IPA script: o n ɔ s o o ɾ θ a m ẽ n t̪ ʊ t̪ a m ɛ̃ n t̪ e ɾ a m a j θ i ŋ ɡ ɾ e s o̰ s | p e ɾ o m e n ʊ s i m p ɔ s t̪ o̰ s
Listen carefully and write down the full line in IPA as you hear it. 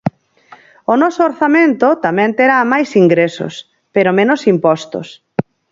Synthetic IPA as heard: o n ɔ s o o ɾ θ a m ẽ n t̪ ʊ t̪ a m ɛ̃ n t̪ e ɾ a m a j s i ŋ ɡ ɾ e s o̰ s | p e ɾ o m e n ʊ s i m p ɔ s t̪ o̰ s